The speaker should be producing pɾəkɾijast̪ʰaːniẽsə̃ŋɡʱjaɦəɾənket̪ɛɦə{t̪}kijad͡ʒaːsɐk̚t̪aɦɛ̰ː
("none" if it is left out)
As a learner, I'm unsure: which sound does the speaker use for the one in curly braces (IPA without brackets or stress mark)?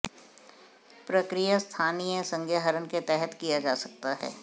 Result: t̪